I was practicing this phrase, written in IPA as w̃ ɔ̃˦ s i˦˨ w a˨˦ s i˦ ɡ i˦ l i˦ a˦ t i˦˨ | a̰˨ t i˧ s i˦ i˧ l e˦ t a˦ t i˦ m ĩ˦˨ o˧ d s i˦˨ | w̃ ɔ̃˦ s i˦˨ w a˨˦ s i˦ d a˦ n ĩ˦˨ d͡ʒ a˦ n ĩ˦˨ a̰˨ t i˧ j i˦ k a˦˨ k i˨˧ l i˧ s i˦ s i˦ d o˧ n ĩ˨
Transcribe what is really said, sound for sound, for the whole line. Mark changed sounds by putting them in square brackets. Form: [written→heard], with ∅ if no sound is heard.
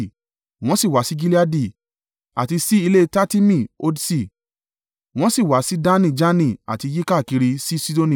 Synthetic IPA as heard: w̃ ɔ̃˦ s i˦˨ w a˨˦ s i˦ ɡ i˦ l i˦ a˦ [t→d] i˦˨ | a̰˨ t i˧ s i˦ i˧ l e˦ t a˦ t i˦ m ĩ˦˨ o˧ d s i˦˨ | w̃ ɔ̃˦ s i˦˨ w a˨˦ s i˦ d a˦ n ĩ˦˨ d͡ʒ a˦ n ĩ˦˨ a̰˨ t i˧ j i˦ k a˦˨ k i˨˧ [l→ɾ] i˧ s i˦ s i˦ d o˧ n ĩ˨